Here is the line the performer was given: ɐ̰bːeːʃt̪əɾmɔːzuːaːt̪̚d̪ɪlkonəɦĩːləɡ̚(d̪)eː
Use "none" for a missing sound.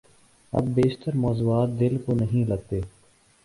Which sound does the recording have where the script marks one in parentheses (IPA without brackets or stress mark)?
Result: t̪